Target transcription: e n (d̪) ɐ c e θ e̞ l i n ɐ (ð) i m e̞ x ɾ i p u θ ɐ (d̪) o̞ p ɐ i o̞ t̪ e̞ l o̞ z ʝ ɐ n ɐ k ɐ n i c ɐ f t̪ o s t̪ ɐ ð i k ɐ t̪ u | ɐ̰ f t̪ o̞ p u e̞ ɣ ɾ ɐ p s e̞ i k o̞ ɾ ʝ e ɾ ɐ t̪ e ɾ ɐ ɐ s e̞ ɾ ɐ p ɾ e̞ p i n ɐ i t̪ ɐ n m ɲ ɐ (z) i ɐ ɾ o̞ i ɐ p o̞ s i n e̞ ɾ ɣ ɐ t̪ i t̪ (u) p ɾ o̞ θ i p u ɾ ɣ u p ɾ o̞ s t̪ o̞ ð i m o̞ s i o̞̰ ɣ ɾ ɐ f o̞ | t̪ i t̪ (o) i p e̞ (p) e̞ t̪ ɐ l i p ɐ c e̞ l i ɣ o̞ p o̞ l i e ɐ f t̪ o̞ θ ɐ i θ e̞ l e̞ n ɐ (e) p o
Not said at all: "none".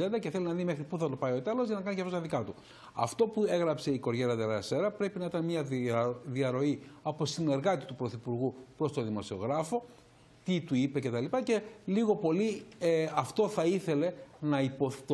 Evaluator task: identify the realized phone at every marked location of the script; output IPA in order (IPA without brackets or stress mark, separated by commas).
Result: d̪, ð, t̪, ð, u, u, c, i